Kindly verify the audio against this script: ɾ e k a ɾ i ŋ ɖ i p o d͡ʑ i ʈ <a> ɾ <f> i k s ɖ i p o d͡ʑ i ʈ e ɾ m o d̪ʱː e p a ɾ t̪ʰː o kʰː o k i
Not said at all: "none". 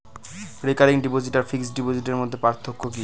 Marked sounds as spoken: a, f

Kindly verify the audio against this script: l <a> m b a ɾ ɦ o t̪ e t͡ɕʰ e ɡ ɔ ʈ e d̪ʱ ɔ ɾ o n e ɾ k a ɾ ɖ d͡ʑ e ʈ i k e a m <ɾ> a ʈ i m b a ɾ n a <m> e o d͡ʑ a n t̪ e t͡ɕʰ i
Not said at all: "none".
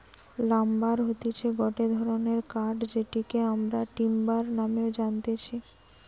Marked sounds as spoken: a, ɾ, m

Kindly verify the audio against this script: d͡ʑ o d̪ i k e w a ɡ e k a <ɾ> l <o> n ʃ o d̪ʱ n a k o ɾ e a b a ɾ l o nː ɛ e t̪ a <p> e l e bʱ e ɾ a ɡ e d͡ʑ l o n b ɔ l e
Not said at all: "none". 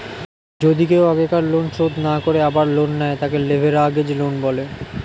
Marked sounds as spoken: ɾ, o, k

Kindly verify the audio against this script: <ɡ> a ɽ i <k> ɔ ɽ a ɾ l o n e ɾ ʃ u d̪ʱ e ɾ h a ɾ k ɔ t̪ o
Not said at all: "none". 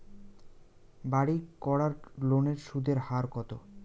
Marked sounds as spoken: b, k

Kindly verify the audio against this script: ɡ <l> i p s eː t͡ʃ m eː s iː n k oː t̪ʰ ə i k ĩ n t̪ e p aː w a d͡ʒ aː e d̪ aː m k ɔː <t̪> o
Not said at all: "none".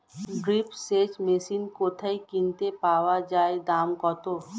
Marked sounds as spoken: ɾ, t̪

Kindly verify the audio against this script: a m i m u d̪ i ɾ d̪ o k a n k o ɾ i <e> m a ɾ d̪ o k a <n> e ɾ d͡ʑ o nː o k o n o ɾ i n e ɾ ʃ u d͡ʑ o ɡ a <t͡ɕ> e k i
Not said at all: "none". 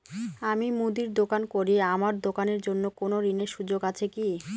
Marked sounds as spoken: a, n, t͡ɕʰ

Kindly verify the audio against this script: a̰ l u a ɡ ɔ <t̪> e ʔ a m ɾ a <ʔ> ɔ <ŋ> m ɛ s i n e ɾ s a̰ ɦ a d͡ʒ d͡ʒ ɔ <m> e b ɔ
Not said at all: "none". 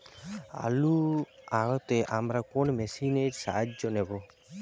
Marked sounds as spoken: t̪, k, n, n

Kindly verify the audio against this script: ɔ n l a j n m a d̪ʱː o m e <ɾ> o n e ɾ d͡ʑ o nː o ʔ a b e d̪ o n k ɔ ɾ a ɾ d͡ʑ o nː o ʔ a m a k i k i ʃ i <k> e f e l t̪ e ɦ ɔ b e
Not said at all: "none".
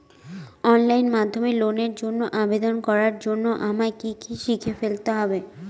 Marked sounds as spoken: l, kʰ

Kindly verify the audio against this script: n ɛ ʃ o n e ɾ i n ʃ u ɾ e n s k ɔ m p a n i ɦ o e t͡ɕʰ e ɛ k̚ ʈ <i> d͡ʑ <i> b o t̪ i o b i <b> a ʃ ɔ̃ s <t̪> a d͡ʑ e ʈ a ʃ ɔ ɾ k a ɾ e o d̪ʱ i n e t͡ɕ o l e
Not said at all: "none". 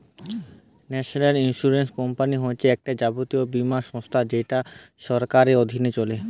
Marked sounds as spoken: a, a, m, t̪ʰ

